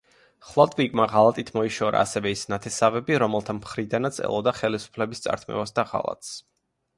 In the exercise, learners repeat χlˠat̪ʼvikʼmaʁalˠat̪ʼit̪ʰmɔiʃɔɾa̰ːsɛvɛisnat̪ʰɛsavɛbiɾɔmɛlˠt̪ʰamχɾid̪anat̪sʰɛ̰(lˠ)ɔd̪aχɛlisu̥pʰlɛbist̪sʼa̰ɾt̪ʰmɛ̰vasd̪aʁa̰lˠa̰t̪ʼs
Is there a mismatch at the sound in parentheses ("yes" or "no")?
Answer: no